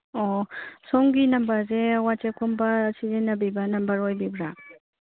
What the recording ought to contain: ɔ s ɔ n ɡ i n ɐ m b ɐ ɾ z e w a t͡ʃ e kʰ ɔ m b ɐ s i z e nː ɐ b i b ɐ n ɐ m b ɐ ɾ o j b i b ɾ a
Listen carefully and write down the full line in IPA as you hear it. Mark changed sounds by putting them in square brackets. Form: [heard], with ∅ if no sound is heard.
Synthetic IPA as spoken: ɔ s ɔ [ŋ] ɡ i n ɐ m b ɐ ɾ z e w a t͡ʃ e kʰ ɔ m b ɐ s i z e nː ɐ b i b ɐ n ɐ m b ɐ ɾ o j b i b ɾ a